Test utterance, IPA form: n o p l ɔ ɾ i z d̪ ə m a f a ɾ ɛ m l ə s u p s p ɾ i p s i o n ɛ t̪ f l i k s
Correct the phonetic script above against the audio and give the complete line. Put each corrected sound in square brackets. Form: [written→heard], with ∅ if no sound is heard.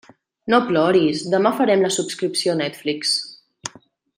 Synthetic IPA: n o p l ɔ ɾ i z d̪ ə m a f [a→ə] ɾ ɛ m l ə s u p s [p→k] ɾ i p s i o n ɛ t̪ f l i k s